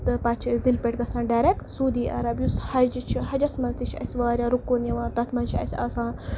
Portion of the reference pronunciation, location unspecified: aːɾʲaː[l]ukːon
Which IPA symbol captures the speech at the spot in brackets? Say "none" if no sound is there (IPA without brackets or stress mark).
ɾ